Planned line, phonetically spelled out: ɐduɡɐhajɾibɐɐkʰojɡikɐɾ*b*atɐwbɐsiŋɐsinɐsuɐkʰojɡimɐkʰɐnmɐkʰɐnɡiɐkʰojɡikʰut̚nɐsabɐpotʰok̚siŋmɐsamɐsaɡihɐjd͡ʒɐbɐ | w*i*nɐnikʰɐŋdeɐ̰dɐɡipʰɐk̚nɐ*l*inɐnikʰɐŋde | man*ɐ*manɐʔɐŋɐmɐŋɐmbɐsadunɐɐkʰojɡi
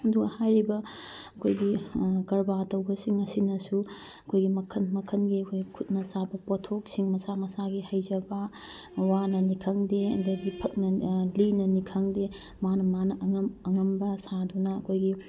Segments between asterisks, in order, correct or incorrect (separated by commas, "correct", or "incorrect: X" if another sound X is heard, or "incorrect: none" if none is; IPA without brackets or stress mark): correct, incorrect: a, correct, correct